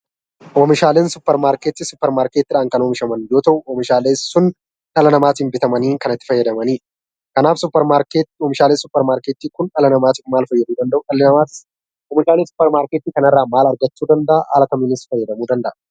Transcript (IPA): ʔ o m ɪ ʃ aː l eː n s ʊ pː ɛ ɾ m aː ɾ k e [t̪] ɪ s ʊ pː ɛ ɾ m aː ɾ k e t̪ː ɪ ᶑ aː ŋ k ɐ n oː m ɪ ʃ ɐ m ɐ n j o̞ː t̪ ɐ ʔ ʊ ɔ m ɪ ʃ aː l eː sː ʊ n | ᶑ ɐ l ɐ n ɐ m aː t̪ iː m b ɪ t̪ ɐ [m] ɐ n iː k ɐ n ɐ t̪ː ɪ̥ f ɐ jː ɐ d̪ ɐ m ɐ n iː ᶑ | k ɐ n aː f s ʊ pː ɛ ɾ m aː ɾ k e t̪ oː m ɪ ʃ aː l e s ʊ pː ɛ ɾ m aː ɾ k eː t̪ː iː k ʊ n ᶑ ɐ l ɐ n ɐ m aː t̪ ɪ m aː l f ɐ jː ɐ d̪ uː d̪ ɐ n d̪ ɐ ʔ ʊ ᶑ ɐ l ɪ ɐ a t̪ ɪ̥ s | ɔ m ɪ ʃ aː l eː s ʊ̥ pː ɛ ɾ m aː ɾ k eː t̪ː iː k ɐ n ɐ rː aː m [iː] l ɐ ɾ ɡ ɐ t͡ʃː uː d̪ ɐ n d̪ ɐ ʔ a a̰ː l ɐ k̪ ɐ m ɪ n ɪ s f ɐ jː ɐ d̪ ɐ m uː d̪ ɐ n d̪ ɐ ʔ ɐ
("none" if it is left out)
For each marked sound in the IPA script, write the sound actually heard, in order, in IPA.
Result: t̪, m, aː

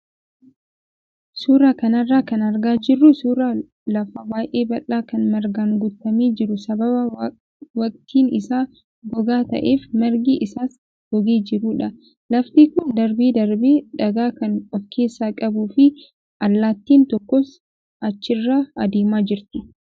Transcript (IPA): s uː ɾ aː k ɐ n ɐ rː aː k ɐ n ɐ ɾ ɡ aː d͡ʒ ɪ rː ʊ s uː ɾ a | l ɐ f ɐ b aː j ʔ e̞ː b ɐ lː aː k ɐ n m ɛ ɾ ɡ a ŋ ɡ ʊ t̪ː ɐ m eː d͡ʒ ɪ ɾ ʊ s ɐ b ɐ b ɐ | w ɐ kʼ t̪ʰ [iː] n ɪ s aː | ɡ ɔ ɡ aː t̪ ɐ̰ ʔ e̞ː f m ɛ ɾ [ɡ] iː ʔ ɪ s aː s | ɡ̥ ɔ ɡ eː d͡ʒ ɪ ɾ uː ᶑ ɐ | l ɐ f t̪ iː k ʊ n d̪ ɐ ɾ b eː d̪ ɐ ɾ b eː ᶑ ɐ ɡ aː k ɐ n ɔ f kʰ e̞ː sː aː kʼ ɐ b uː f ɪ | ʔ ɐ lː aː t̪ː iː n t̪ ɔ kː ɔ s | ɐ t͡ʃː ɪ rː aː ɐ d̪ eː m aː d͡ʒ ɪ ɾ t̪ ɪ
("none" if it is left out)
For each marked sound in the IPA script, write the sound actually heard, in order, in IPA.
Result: iː, ɡ

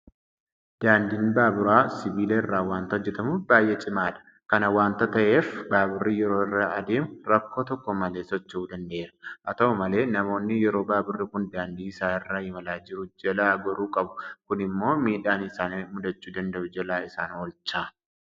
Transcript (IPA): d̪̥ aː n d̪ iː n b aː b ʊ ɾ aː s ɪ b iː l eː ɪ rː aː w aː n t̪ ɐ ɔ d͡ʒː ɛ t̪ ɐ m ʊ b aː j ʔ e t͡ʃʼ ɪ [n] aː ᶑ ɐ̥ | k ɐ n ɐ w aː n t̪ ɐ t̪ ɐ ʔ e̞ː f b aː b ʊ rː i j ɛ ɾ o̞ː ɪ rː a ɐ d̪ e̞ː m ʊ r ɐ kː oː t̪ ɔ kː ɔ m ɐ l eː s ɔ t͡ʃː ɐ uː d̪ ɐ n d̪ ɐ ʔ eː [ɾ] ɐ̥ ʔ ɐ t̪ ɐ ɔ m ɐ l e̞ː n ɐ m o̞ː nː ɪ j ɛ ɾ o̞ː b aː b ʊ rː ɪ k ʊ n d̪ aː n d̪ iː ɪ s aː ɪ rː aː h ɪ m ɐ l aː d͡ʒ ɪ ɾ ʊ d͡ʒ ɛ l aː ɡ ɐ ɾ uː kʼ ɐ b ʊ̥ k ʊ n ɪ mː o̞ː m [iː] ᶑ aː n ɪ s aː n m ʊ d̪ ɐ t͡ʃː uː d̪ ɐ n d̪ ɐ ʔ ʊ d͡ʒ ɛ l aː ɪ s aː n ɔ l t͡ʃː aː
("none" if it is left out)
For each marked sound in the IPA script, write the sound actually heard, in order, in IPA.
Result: m, ɾ, iː

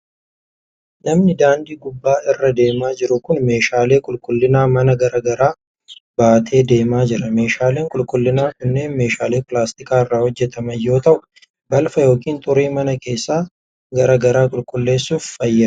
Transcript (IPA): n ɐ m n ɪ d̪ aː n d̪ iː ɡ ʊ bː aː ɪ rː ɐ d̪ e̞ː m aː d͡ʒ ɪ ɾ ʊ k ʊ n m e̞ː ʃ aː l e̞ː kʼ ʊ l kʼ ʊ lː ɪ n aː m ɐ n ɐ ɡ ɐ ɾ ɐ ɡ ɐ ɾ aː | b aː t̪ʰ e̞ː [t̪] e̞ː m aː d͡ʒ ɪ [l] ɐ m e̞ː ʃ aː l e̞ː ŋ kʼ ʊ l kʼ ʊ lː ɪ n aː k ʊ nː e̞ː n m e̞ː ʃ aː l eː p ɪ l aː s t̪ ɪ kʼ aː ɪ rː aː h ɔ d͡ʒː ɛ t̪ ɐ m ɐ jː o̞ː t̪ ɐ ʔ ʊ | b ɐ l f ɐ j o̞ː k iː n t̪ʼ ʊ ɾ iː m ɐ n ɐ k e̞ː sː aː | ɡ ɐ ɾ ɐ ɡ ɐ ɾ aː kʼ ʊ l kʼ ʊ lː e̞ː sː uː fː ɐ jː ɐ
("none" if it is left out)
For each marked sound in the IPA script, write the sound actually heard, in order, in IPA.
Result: d̪, ɾ

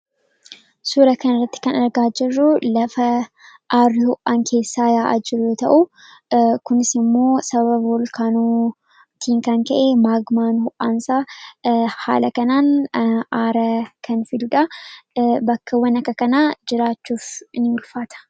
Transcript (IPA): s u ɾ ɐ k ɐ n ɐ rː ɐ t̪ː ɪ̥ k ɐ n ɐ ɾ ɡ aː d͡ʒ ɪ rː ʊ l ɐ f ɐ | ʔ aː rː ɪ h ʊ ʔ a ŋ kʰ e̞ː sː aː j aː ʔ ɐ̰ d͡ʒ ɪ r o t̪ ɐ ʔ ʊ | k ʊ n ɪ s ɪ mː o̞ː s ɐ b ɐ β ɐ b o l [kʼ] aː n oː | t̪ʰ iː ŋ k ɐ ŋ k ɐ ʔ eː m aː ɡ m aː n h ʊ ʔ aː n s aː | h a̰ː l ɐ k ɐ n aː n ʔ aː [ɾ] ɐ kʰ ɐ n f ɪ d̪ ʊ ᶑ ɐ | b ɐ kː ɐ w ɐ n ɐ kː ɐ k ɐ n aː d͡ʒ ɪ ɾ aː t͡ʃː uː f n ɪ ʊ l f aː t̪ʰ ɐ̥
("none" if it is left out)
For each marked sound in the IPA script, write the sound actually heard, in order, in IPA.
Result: k, ɾ

